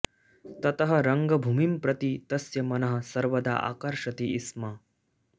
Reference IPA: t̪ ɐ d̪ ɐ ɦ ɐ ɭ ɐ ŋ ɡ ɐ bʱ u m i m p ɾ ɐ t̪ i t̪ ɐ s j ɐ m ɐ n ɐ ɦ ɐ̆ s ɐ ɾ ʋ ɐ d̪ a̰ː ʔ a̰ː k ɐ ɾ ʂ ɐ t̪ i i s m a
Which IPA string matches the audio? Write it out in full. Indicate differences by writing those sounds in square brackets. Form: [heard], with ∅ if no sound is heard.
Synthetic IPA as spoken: t̪ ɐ [t̪] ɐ ɦ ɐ [ɾ] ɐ ŋ ɡ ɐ bʱ u m i m p ɾ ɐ t̪ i t̪ ɐ s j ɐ m ɐ n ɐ ɦ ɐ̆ s ɐ ɾ ʋ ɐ d̪ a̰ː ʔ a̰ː k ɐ ɾ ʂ ɐ t̪ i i s m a